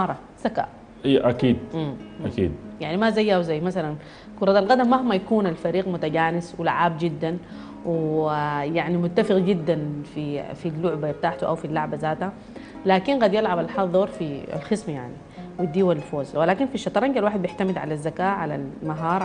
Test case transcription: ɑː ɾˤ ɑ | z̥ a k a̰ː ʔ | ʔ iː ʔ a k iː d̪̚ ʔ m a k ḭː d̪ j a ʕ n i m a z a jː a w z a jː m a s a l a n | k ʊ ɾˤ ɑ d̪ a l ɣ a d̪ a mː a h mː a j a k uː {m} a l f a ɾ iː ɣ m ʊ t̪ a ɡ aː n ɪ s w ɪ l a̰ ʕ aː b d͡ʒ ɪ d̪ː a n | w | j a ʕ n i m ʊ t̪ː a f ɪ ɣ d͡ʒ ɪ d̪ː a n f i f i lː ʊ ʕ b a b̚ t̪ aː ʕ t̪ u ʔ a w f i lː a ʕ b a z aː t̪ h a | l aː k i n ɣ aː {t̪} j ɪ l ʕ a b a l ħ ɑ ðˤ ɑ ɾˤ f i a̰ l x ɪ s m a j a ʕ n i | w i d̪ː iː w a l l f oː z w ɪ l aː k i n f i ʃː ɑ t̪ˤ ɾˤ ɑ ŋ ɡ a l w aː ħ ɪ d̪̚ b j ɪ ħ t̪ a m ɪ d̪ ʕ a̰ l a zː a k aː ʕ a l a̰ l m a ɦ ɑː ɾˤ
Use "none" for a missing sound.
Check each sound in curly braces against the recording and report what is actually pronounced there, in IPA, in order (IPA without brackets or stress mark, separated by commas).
n, d̪